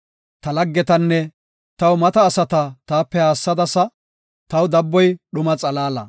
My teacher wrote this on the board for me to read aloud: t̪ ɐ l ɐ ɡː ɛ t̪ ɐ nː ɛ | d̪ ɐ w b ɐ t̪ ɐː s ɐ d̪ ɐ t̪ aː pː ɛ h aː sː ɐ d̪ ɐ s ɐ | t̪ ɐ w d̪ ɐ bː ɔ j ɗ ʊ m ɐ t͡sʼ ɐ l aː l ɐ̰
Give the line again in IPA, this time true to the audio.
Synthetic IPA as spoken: t̪ ɐ l ɐ ɡː ɛ t̪ ɐ nː ɛ | t̪ ɐ w m ɐ t̪ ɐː s ɐ t̪ ɐ t̪ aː pː ɛ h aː sː ɐ d̪ ɐ s ɐ | t̪ ɐ w d̪ ɐ bː ɔ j ɗ ʊ m ɐ t͡sʼ ɐ l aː l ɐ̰